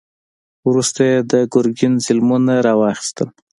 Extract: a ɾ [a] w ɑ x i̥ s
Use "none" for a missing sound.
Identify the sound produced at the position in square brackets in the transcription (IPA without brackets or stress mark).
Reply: ɑ